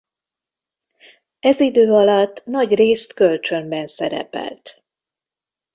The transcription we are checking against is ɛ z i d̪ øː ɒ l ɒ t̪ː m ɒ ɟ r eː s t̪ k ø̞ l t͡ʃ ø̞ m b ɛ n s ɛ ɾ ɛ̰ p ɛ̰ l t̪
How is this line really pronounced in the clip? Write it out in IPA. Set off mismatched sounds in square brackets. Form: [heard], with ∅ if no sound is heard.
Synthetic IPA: ɛ z i d̪ øː ɒ l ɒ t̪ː [n] ɒ ɟ r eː s t̪ k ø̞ l t͡ʃ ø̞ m b ɛ n s ɛ ɾ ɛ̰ p ɛ̰ l t̪